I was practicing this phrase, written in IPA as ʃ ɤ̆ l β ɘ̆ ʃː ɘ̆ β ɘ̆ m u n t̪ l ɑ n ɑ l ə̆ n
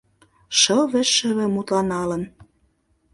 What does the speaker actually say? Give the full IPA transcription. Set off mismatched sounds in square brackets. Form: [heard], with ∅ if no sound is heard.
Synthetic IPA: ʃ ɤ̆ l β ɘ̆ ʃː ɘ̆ β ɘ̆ m u [∅] t̪ l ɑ n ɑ l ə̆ n